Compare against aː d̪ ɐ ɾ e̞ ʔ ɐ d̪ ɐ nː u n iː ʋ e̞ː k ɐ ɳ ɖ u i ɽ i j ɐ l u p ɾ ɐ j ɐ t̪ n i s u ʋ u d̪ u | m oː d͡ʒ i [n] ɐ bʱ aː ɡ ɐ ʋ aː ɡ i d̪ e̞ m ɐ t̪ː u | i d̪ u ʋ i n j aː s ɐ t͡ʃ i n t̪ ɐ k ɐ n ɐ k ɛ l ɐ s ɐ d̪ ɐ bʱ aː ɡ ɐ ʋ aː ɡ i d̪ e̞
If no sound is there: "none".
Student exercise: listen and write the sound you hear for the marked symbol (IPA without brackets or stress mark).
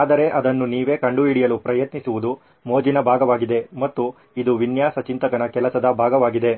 n